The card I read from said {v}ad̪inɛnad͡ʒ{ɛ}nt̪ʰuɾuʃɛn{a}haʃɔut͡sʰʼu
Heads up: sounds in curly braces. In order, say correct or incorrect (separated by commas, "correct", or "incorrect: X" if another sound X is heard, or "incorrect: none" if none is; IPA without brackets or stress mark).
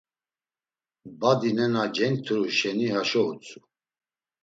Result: incorrect: b, correct, incorrect: i